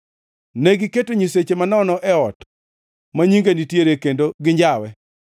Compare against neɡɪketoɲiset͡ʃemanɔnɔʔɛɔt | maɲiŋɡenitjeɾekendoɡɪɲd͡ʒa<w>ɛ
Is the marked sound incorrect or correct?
correct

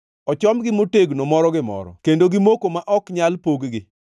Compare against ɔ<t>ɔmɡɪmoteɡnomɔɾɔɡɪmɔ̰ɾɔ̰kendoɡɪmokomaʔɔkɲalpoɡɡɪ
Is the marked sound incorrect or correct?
incorrect: t͡ʃ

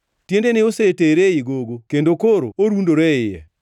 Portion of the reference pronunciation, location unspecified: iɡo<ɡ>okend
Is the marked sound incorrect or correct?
correct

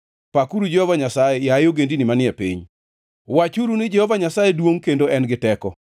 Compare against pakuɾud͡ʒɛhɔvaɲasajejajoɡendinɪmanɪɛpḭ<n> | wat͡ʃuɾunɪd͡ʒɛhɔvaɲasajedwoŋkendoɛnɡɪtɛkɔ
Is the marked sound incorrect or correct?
incorrect: ɲ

